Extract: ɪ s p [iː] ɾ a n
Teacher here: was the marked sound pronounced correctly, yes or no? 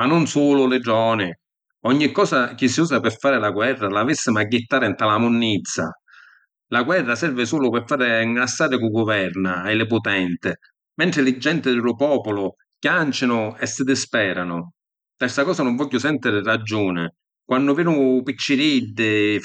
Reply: no